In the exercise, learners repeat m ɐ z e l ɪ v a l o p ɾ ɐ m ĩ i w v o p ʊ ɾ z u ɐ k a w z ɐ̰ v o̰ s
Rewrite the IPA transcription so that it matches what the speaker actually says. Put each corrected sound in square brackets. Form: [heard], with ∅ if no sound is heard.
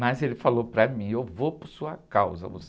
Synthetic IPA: m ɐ z e l ɪ [f] a l o p ɾ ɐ m ĩ [e] w v o p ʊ ɾ [s] u ɐ k a w z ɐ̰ v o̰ s